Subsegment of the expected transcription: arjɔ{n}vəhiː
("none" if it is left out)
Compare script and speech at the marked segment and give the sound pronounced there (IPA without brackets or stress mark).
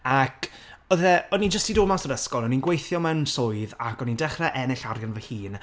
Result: n